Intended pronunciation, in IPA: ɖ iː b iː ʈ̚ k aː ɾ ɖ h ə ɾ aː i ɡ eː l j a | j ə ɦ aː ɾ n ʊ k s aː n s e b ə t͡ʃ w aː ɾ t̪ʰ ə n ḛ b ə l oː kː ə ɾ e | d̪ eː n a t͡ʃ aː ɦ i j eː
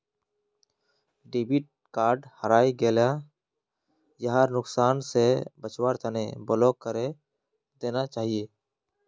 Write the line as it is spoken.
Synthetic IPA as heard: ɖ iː b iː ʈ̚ k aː ɾ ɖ h ə ɾ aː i ɡ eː l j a | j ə ɦ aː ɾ n ʊ k s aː n s e b ə t͡ʃ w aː ɾ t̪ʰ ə n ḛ b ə l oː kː ə ɾ e | d̪ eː n a t͡ʃ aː ɦ i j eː